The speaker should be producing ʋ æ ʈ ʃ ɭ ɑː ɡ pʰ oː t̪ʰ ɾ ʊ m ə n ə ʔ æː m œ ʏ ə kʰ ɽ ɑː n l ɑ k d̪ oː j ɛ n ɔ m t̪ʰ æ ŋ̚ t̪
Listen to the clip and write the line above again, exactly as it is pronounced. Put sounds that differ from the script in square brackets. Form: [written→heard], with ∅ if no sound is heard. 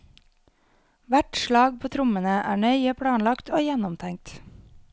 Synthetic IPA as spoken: ʋ æ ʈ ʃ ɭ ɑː ɡ pʰ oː t̪ʰ ɾ ʊ m ə n ə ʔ æː [m→ɳ] œ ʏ ə [kʰ→pʰ] ɽ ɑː n l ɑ k [d̪→t̪] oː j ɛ n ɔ m t̪ʰ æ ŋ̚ t̪